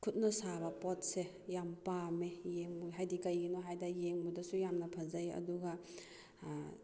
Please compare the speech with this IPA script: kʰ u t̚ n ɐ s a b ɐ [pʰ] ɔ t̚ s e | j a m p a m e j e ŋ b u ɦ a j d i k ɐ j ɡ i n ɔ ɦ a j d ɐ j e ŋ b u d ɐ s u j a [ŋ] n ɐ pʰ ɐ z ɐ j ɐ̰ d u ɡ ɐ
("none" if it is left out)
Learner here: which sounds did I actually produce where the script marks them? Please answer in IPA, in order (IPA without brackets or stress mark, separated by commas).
p, m